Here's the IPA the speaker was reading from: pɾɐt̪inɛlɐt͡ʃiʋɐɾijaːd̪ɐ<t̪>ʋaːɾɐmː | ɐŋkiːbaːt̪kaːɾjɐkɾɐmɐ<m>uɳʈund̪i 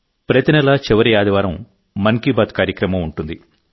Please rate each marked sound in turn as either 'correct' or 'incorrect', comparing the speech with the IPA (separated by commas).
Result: incorrect, correct